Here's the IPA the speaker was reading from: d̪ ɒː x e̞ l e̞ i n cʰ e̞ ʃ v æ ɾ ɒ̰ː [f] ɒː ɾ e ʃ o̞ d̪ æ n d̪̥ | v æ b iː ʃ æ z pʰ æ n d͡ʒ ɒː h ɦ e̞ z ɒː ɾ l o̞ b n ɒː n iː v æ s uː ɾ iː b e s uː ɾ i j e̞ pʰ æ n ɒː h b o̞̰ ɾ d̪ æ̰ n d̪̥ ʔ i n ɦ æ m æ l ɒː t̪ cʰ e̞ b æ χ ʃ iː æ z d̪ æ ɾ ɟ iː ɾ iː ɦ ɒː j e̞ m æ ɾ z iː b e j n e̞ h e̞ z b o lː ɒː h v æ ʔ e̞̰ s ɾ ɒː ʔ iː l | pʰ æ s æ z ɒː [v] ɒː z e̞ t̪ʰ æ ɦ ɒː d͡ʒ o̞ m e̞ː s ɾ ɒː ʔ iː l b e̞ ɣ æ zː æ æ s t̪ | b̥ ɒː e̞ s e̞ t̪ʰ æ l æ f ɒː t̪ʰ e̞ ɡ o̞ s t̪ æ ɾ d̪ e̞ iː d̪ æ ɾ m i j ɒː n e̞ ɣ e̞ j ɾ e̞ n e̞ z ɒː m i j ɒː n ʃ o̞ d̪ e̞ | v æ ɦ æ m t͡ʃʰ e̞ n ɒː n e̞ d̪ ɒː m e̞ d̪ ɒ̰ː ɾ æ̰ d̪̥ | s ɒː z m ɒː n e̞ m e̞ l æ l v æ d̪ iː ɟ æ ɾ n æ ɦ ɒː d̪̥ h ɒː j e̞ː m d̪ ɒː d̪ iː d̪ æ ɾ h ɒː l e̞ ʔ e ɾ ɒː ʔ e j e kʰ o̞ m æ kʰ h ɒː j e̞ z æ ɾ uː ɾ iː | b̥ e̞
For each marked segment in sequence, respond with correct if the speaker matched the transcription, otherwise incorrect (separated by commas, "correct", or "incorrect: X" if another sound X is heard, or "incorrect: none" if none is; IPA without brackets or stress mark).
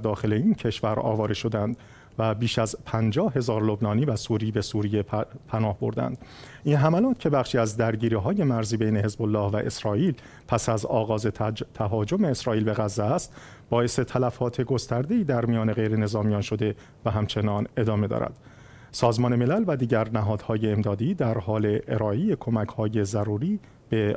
incorrect: v, incorrect: ɣ